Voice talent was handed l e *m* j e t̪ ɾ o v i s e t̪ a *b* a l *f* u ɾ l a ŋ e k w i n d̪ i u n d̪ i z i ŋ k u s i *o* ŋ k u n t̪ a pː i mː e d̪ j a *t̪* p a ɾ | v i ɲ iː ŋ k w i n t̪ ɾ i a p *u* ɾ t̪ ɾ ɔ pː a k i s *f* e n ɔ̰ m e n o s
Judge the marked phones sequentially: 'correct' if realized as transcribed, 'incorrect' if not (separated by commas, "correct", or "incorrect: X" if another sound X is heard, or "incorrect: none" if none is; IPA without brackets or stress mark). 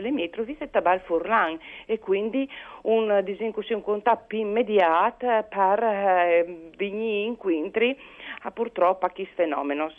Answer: correct, correct, correct, incorrect: u, correct, correct, correct